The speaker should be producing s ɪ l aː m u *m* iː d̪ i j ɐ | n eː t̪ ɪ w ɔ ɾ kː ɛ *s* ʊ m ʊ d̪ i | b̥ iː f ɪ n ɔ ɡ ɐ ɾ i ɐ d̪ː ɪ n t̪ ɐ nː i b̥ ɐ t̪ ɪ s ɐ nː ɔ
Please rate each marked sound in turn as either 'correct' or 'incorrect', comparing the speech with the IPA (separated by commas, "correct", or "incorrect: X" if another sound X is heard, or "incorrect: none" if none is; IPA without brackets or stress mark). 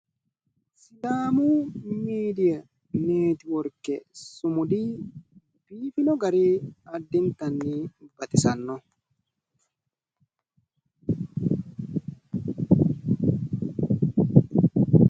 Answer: correct, correct